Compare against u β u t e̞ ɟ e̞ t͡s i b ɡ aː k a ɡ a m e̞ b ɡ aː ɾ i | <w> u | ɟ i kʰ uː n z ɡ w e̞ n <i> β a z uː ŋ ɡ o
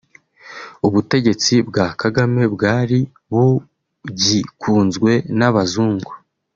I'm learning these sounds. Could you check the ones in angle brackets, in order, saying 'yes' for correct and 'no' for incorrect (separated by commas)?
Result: no, no